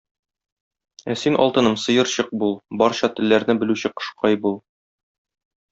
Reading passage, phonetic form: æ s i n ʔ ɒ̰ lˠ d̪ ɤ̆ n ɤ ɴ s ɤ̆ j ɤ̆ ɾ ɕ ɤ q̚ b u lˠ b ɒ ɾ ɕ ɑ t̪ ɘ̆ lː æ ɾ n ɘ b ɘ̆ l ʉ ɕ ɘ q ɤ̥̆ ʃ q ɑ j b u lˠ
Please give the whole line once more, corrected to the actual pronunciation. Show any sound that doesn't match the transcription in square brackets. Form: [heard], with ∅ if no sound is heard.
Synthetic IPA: æ s i n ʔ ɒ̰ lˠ [t̪] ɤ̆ n ɤ [m] s ɤ̆ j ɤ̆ ɾ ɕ ɤ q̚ b u lˠ b ɒ ɾ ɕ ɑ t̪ ɘ̆ lː æ ɾ n ɘ b ɘ̆ l ʉ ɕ ɘ q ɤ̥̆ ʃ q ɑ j b u lˠ